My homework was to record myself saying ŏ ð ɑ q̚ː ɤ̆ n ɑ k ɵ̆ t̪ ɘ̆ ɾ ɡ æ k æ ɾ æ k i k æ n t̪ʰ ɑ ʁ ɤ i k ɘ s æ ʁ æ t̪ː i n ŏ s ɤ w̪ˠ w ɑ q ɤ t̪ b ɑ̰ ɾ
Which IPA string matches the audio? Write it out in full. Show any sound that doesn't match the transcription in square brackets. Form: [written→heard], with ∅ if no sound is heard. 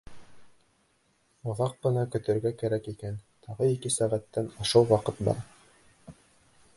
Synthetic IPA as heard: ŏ ð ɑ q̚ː ɤ̆ n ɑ k ɵ̆ t̪ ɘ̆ ɾ ɡ æ k æ ɾ æ k i k æ n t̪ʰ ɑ ʁ ɤ i k ɘ s æ ʁ æ t̪ː [i→æ] n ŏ [s→ʃ] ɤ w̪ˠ w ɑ q ɤ t̪ b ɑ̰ ɾ